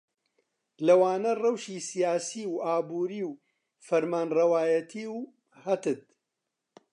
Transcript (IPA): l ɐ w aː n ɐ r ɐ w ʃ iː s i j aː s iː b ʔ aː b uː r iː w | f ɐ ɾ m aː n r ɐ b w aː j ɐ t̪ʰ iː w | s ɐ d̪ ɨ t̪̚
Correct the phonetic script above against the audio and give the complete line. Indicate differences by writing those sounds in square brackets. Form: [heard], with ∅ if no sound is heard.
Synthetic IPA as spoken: l ɐ w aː n ɐ r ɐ w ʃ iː s i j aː s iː [w] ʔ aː b uː [ɾ] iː w | f ɐ ɾ m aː n r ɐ [∅] w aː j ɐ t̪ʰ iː w | [h] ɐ [t̪] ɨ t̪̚